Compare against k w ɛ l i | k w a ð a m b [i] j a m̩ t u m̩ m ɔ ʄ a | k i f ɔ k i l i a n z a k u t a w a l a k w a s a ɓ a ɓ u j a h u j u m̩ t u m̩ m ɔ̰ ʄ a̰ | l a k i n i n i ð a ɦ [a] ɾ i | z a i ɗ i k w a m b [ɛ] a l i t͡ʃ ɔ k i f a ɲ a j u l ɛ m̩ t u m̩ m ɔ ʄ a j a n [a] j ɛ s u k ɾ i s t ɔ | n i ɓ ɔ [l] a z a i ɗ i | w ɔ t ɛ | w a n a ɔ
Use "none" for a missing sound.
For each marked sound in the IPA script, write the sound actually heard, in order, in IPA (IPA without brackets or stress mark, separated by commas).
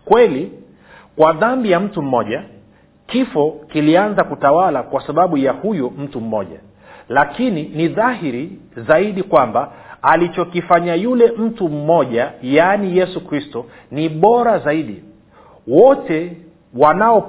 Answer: i, i, a, i, ɾ